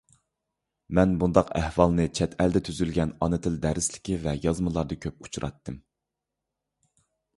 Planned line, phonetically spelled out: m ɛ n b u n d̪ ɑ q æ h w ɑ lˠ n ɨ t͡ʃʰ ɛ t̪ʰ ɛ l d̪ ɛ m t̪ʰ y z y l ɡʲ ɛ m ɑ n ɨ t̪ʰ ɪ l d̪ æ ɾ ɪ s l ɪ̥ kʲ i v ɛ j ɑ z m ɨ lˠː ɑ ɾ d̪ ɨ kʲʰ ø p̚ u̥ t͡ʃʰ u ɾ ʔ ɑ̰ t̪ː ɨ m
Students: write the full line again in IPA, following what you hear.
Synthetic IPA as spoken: m ɛ n b u n d̪ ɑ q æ h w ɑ lˠ n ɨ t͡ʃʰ ɛ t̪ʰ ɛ l d̪ ɛ t̪ʰ y z y l ɡʲ ɛ n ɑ n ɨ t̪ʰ ɪ l d̪ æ ɾ ɪ s l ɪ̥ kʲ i v ɛ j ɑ z m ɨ lˠ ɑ ɾ d̪ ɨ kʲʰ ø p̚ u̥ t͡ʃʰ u ɾ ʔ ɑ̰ t̪ː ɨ m